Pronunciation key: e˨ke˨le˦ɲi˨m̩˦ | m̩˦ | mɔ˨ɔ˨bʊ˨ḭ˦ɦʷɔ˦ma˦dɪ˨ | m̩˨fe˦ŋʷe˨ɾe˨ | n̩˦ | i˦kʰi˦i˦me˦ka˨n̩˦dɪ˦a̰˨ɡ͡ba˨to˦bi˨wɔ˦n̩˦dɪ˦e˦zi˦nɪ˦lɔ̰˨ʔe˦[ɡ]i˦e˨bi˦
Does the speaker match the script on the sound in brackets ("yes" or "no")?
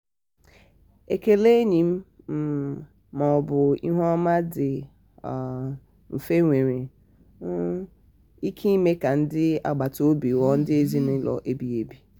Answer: no